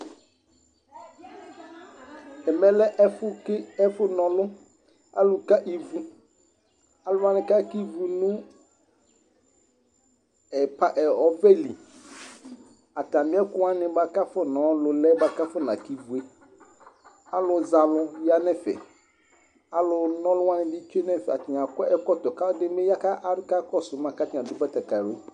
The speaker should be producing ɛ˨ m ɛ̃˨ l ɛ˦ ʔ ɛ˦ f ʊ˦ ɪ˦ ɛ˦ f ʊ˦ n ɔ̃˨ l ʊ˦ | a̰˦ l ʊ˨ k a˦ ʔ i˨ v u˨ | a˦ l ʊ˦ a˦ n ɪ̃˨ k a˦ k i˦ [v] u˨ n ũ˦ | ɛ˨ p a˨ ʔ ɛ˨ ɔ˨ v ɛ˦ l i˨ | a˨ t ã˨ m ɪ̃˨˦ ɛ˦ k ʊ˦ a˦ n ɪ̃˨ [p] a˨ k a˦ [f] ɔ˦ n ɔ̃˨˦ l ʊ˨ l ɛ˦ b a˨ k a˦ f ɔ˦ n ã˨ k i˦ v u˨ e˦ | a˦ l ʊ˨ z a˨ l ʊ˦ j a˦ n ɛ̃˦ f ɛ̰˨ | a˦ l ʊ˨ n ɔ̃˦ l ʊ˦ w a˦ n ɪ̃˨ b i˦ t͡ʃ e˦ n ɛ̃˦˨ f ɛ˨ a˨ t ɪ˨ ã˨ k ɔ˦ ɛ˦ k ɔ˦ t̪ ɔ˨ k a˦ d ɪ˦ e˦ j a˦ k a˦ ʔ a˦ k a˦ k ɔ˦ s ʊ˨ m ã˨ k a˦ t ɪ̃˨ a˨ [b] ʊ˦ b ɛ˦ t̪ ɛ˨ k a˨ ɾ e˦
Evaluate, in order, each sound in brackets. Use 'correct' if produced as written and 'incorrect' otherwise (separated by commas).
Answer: correct, incorrect, correct, incorrect